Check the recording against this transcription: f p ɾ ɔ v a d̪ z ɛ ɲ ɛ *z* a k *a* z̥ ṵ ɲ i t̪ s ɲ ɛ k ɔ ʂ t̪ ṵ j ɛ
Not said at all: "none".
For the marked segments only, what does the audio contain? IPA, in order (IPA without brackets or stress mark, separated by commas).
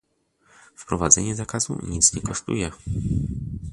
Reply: z, a